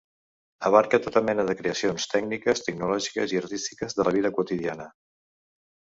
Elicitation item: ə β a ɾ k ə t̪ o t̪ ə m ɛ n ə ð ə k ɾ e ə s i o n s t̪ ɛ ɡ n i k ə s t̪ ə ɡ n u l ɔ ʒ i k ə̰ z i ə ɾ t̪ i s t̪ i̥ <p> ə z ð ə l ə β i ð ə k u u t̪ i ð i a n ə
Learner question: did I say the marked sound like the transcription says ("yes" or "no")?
no